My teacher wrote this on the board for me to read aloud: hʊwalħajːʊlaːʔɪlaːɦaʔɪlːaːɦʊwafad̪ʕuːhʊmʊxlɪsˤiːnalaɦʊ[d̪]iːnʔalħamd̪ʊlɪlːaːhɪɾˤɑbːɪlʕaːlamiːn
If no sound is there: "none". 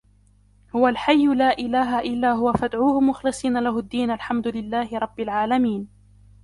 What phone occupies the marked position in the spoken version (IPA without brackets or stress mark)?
d̪ː